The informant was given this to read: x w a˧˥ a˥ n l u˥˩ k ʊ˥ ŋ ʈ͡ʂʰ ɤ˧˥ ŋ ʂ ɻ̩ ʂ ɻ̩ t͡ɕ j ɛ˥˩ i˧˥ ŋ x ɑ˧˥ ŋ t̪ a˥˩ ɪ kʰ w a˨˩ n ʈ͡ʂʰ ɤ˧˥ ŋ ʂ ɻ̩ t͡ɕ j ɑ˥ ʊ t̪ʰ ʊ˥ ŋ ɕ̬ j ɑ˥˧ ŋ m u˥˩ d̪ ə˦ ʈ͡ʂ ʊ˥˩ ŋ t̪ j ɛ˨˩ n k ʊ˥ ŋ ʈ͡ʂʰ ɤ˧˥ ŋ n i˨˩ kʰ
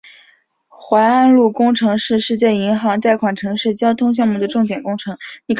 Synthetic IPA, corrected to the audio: x w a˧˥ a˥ n l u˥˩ k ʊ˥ ŋ ʈ͡ʂʰ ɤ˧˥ ŋ ʂ ɻ̩ ʂ ɻ̩ t͡ɕ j ɛ˥˩ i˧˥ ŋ x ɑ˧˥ ŋ t̪ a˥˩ ɪ kʰ w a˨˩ n ʈ͡ʂʰ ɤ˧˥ ŋ ʂ ɻ̩ t͡ɕ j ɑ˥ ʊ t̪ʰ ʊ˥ ŋ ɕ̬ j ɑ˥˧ ŋ m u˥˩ d̪ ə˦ ʈ͡ʂ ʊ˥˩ ŋ t̪ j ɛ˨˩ n k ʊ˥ ŋ ʈ͡ʂʰ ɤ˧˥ ŋ n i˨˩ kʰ